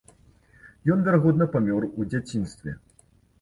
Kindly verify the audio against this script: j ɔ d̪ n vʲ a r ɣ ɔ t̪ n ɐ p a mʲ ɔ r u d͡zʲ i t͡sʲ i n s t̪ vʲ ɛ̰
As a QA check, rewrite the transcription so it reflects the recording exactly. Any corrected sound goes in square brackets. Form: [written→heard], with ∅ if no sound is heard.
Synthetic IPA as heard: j ɔ [d̪→∅] n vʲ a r ɣ ɔ [t̪→d̪] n ɐ p a mʲ ɔ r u d͡zʲ [i→a] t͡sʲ i n s t̪ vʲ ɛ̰